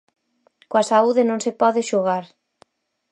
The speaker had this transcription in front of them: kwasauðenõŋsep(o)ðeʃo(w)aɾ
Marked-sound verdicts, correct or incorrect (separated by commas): incorrect, incorrect